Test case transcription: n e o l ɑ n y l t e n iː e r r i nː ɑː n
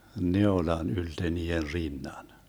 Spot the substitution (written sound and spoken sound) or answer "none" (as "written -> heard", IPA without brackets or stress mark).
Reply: ɑː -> ɑ